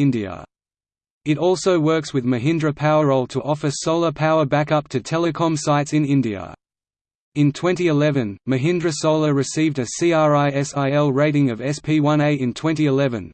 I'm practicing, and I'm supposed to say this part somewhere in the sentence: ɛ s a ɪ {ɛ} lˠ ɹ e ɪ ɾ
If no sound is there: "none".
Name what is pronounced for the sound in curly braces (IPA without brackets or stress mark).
ɛ